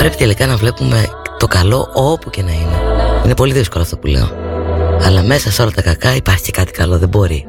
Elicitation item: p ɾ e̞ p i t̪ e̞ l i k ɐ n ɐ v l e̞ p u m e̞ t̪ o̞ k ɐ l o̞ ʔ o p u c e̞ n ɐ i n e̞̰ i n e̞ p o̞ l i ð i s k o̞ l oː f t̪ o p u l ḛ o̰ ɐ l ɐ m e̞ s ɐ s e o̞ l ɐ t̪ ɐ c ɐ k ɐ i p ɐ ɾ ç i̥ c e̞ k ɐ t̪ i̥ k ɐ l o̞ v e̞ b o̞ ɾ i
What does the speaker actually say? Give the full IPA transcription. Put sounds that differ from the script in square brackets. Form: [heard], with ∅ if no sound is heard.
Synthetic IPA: p ɾ e̞ p i t̪ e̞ l i k ɐ n ɐ v l e̞ p u m e̞ t̪ o̞ k ɐ l o̞ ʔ o p u c e̞ n ɐ i n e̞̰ i n e̞ p o̞ l i ð i s k o̞ l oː f t̪ o p u l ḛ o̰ ɐ l ɐ m e̞ s ɐ s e o̞ l ɐ t̪ ɐ [k] ɐ k ɐ i p ɐ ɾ ç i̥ c e̞ k ɐ t̪ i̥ k ɐ l o̞ [ð] e̞ b o̞ ɾ i